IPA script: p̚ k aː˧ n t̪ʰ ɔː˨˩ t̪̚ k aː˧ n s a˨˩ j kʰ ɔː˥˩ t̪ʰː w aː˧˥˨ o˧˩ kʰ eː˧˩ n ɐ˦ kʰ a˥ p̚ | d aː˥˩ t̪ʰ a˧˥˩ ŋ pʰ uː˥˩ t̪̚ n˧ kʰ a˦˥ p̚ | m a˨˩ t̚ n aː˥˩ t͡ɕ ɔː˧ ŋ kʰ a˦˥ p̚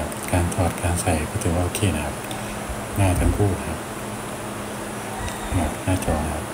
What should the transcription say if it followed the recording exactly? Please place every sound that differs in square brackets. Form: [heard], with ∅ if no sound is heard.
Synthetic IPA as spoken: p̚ k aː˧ n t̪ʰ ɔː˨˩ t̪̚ k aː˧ n s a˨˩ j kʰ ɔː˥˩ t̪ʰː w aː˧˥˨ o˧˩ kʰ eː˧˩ n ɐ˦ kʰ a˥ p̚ | [n] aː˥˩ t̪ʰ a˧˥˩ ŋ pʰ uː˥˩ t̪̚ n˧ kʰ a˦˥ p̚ | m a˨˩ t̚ n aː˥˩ t͡ɕ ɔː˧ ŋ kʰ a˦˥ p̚